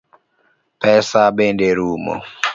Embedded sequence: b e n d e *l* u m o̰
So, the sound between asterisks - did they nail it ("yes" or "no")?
no